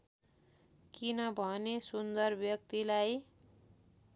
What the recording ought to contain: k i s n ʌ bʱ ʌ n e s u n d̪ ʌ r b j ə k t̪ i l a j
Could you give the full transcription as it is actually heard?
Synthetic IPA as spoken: k i n ʌ bʱ ʌ n e s u n d̪ ʌ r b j ʌ k t̪ i l a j